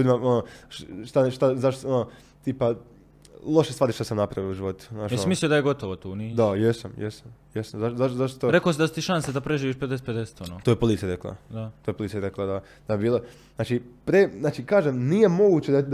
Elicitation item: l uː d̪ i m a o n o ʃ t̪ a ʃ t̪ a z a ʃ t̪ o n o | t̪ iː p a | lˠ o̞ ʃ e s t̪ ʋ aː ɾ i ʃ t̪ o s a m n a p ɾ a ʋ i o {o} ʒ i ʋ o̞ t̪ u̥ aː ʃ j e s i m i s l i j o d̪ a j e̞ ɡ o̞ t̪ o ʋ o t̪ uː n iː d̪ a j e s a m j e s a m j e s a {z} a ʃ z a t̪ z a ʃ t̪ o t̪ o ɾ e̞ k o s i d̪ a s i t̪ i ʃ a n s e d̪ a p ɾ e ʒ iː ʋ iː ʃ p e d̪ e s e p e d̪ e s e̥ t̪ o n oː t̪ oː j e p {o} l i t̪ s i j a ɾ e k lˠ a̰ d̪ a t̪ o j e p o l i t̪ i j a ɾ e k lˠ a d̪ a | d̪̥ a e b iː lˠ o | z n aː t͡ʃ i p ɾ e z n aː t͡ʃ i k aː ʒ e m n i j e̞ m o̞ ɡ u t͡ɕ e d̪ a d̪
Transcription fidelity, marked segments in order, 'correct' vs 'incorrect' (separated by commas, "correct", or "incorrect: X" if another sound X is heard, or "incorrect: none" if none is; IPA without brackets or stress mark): incorrect: u, correct, correct